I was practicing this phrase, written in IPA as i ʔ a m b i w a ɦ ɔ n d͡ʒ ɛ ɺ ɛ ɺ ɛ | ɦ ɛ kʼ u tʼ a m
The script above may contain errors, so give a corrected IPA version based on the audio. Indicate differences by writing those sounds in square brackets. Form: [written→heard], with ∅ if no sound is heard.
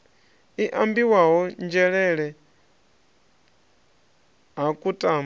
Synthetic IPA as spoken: i ʔ a m b i w a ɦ ɔ n d͡ʒ ɛ ɺ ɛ ɺ ɛ | ɦ [ɛ→a] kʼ u tʼ a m